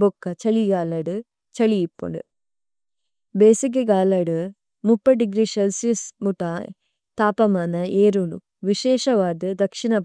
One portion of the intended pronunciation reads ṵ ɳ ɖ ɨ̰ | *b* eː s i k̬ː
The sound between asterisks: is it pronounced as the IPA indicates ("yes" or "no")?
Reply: yes